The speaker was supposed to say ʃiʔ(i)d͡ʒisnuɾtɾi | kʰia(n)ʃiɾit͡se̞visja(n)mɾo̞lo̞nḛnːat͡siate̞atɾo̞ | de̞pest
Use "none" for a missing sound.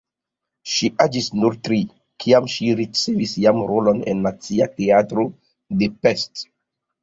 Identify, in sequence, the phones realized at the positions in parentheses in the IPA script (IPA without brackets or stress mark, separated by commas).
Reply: a, m, none